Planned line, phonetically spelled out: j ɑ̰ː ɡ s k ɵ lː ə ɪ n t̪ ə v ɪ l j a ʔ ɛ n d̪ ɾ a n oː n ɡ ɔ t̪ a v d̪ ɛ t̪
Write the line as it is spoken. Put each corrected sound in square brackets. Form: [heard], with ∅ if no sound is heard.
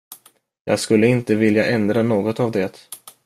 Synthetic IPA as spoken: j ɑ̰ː ɡ s k ɵ lː ə ɪ n t̪ ə v ɪ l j a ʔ ɛ n d̪ ɾ a n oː [∅] ɡ ɔ t̪ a v d̪ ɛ t̪